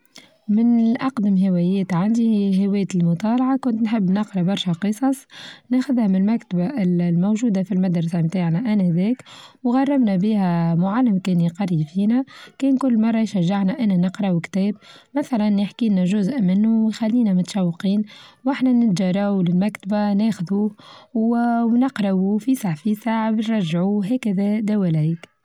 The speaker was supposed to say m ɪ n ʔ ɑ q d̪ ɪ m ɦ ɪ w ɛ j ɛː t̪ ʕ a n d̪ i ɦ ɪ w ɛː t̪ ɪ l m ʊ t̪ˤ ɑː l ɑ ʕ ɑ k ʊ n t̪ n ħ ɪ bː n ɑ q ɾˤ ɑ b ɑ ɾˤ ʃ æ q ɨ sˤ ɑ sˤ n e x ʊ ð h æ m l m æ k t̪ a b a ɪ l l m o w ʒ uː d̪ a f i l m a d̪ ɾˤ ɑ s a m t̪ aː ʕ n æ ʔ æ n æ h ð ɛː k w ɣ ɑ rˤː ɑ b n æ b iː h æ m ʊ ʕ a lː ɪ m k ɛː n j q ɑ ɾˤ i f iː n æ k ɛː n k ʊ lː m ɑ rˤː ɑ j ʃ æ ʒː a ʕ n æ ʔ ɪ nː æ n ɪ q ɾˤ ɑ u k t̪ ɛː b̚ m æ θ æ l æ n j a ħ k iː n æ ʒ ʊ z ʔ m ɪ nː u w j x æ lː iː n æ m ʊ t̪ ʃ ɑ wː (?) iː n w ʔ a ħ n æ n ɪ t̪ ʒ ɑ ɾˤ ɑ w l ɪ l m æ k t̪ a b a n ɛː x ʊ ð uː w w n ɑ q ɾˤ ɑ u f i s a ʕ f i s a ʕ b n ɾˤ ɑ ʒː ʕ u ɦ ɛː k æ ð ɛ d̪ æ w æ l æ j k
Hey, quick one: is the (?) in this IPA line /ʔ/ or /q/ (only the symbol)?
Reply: q